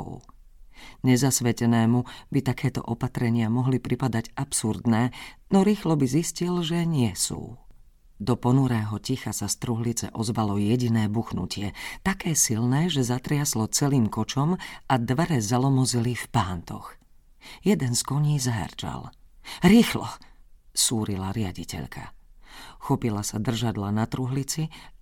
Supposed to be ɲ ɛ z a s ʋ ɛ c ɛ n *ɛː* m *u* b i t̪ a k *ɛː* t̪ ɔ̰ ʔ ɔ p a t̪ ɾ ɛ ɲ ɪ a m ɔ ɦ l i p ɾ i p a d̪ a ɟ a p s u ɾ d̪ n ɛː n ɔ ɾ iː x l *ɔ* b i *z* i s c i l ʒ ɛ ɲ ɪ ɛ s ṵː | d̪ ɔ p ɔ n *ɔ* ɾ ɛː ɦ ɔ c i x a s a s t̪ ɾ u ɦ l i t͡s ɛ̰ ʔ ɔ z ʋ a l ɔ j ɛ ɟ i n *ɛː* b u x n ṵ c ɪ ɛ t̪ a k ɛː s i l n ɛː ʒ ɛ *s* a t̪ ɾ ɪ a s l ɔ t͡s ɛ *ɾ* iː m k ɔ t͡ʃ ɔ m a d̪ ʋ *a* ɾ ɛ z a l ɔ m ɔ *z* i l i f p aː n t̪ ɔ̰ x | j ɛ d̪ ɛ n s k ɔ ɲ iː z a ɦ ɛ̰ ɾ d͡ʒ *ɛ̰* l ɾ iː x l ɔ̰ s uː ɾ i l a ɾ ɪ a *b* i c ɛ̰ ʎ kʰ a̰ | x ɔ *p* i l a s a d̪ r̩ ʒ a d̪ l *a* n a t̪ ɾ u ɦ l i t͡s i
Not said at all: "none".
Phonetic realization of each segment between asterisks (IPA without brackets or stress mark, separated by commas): ɛː, u, ɛː, ɔ, z, u, ɛː, z, l, ɛ, z, a̰, ɟ, p, a